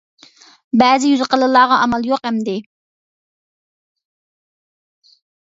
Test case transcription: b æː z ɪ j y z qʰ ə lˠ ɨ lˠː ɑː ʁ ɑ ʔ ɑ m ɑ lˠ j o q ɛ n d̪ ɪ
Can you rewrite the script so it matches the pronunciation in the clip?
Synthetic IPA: b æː z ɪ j y z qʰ ə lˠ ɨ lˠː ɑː ʁ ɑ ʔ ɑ m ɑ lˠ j o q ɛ m d̪ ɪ